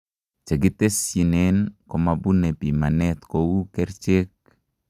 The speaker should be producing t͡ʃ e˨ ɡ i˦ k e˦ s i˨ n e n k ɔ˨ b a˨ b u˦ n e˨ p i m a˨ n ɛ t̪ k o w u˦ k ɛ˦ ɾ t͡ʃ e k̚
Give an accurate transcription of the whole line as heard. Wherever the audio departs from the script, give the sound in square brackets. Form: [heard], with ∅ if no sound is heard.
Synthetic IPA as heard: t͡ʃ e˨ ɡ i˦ [t] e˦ s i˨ n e n k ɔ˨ [m] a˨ b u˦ n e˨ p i m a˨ n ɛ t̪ k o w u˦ k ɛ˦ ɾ t͡ʃ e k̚